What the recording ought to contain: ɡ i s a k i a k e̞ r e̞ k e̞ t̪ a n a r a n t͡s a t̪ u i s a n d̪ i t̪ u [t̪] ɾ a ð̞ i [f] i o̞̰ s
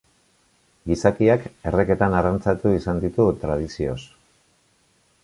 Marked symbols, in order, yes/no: yes, no

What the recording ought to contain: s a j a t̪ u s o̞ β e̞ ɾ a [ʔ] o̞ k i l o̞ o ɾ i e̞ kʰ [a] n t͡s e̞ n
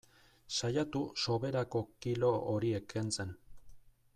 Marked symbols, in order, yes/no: no, no

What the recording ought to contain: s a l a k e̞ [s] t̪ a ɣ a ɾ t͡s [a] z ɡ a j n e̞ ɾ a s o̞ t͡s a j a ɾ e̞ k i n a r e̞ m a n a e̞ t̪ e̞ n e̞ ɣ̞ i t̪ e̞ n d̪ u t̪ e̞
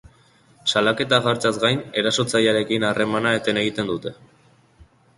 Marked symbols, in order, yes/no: no, yes

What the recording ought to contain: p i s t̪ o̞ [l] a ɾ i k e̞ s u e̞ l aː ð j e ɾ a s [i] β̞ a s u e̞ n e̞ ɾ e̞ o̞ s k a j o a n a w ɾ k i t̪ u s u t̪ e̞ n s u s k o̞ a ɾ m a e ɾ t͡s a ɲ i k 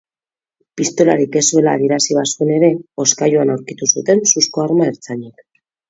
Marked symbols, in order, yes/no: yes, yes

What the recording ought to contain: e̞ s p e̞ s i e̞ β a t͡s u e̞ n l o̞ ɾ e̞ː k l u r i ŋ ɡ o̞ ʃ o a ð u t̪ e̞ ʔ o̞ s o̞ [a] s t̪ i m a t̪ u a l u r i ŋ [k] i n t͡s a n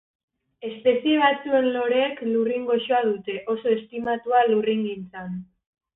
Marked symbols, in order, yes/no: no, no

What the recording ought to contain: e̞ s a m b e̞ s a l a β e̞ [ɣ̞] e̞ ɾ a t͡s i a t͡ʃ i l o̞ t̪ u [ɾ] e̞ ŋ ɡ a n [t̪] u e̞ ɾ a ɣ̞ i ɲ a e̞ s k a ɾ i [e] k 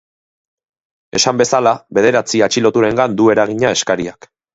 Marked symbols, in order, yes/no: no, yes, no, no

